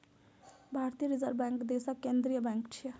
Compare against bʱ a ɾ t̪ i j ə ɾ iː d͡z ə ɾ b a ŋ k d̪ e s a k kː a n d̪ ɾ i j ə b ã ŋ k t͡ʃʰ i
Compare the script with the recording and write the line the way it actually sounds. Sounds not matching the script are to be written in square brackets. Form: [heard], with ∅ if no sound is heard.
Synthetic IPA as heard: bʱ a ɾ t̪ i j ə ɾ [i] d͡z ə ɾ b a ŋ k d̪ e s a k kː [e] n d̪ ɾ i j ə b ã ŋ k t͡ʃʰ i